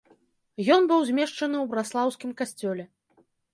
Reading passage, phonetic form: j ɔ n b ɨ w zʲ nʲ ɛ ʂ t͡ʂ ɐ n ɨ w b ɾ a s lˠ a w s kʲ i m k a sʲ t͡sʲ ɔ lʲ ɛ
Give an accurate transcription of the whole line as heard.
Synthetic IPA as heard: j ɔ n b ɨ w zʲ mʲ ɛ ʂ t͡ʂ ɐ n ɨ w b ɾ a s lˠ a w s kʲ i m k a sʲ t͡sʲ ɔ lʲ ɛ